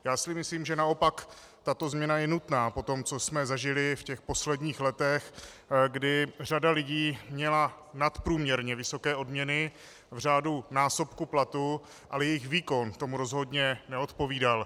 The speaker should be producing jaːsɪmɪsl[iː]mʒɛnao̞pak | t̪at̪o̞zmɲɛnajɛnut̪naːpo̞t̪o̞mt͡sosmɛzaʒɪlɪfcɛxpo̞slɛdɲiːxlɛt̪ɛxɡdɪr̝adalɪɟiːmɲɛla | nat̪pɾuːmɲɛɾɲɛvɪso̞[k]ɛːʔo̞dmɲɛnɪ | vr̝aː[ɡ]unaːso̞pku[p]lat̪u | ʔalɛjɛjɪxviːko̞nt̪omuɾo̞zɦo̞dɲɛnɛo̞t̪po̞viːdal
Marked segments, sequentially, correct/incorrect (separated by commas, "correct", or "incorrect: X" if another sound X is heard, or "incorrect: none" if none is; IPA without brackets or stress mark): correct, correct, incorrect: d, correct